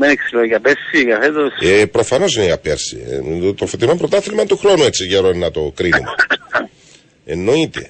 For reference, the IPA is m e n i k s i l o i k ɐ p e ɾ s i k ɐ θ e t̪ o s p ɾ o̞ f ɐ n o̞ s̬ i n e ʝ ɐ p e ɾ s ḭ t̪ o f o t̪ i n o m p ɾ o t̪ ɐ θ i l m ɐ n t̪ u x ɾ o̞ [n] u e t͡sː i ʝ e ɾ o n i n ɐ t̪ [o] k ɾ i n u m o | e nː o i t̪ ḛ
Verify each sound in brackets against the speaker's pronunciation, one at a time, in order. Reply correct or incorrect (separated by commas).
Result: correct, correct